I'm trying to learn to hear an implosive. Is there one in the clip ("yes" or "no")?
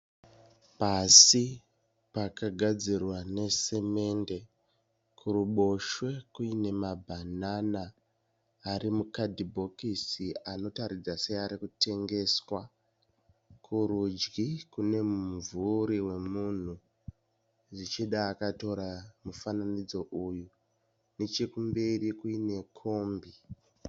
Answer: yes